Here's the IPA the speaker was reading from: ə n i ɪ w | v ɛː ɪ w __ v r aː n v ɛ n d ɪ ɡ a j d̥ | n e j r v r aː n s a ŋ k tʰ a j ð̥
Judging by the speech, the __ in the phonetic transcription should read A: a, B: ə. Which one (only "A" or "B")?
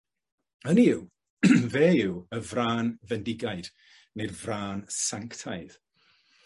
B